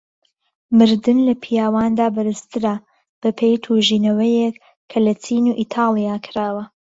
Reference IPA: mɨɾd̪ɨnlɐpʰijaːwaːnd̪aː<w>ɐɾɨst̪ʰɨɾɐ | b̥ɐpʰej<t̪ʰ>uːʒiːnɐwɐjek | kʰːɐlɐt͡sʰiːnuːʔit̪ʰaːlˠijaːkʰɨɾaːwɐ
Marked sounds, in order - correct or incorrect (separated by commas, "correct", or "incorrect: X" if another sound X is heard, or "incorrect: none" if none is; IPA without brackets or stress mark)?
incorrect: b, correct